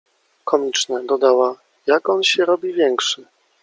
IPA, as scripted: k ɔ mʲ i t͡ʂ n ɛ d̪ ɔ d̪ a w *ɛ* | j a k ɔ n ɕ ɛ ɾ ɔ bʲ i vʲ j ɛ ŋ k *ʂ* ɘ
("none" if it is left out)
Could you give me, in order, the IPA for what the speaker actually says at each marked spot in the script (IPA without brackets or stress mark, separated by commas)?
a, ʂ